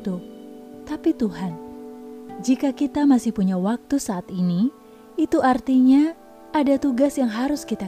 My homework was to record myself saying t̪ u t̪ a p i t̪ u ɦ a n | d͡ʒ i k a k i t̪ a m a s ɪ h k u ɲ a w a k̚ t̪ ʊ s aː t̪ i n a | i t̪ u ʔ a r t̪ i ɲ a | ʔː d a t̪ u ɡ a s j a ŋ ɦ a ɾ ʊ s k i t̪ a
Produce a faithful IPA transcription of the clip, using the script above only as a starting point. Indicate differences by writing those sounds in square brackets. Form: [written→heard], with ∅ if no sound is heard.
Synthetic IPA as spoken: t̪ u t̪ a p i t̪ u ɦ a n | d͡ʒ i k a k i t̪ a m a s ɪ h [k→p] u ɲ a w a k̚ t̪ [ʊ→u] s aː t̪ i n [a→i] | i t̪ u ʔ a r t̪ i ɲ a | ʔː d a t̪ u ɡ a s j a ŋ ɦ a ɾ ʊ s k i t̪ a